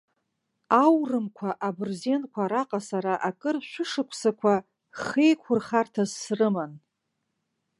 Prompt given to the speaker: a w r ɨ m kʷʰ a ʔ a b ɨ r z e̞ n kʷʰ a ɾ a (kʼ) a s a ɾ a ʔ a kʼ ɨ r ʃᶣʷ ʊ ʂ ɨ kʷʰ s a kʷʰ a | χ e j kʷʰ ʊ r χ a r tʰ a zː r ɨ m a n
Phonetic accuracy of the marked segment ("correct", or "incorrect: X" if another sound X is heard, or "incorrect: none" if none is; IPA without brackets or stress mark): incorrect: qʼ